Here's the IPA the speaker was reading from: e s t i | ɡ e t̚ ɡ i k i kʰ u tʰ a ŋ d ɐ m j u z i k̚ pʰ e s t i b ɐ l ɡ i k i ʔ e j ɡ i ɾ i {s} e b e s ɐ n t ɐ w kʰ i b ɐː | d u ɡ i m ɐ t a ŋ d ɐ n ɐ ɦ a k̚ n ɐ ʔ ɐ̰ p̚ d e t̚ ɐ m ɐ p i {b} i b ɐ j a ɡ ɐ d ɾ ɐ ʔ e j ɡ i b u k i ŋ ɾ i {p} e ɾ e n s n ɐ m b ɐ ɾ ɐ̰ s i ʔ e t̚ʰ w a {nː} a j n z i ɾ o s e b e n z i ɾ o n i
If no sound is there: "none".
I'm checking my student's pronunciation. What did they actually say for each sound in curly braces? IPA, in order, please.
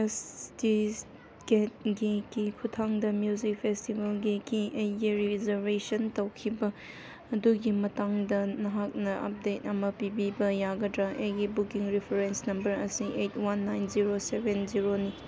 z, b, pʰ, nː

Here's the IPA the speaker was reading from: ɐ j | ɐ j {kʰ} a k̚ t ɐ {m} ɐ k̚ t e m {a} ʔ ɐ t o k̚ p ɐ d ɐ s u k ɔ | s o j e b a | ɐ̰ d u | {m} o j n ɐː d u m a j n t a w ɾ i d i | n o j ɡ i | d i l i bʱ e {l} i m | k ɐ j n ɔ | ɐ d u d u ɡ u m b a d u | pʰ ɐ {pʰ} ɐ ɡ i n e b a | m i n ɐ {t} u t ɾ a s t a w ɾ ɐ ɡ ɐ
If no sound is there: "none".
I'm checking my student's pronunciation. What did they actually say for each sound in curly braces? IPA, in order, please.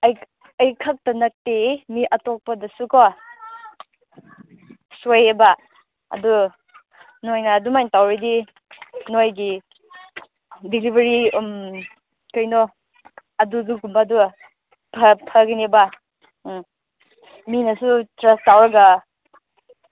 kʰ, n, i, n, ɾ, pʰ, s

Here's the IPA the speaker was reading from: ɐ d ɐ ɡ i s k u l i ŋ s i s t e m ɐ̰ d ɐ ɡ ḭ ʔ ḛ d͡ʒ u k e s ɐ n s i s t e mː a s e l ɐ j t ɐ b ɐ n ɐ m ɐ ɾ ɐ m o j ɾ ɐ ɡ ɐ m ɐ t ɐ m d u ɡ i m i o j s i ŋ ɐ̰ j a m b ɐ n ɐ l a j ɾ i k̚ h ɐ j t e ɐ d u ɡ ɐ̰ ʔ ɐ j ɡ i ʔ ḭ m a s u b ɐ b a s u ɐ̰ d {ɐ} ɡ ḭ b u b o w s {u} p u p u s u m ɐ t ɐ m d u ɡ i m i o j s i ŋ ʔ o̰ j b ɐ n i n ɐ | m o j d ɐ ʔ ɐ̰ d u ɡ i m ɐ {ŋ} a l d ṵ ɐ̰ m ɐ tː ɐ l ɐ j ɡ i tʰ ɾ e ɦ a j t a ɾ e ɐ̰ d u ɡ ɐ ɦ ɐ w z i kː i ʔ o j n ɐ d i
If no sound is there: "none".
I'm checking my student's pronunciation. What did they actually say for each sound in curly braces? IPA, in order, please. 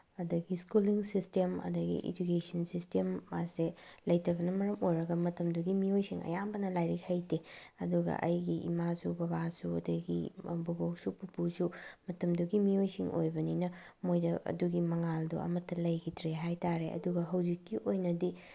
ɐ, u, ŋ

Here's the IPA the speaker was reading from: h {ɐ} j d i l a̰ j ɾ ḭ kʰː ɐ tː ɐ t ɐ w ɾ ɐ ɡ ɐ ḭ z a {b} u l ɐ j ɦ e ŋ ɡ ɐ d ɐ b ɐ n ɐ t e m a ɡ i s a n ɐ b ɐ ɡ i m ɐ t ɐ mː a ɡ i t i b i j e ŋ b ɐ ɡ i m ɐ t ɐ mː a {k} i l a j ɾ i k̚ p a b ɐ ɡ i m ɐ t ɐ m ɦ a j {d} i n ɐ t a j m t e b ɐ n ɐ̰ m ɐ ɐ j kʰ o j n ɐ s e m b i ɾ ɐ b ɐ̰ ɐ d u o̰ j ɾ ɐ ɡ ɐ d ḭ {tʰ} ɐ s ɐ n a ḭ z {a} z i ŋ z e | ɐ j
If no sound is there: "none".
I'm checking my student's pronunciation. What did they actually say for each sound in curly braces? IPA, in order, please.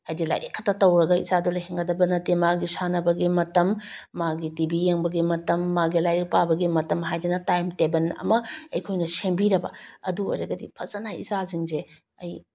a, d, ɡ, d, pʰ, a

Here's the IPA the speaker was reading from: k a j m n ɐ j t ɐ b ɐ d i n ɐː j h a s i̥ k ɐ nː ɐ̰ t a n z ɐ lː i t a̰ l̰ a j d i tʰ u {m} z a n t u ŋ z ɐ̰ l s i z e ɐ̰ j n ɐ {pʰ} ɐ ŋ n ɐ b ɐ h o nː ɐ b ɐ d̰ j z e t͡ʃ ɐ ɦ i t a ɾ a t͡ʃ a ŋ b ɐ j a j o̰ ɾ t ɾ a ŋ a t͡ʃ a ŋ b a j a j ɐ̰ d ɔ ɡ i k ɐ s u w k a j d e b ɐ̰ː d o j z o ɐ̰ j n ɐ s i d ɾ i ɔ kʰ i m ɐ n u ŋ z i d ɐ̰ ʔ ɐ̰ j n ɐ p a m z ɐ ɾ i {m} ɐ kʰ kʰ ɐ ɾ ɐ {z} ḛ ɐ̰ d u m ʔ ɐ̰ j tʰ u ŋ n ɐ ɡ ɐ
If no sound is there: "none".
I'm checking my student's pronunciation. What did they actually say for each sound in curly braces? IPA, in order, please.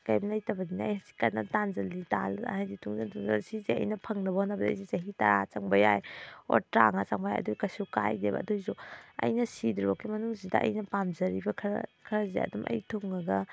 ŋ, pʰ, b, z

